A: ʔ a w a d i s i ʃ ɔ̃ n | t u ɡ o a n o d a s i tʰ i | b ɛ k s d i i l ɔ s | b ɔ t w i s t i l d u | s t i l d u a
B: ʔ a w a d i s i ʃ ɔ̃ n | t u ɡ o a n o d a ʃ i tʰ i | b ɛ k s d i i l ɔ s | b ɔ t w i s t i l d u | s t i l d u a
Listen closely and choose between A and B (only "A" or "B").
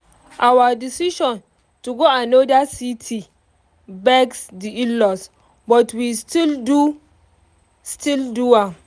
A